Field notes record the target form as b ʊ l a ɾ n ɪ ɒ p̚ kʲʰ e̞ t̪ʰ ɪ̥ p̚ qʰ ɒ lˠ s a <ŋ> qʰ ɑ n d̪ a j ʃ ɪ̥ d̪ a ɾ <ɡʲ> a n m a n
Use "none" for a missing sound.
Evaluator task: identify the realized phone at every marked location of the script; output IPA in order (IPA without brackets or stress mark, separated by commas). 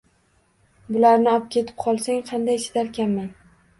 ŋ, kʲ